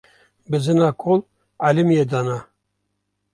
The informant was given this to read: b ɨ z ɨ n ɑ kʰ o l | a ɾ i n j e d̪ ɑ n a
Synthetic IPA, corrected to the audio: b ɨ z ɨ n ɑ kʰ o l | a l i m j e d̪ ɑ n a